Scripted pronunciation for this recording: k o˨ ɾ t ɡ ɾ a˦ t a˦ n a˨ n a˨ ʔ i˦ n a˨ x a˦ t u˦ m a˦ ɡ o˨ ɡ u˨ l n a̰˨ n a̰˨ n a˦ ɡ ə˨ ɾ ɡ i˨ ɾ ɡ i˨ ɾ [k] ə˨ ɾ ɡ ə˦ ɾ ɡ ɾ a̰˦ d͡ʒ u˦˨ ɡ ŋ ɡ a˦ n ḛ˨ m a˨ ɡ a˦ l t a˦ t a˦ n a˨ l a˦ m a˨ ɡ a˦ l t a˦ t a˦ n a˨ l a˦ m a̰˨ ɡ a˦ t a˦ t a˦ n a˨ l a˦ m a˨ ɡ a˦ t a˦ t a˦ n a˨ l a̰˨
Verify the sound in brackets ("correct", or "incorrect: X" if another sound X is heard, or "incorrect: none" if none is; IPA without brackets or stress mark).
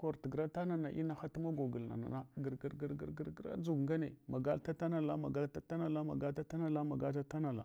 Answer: incorrect: ɡ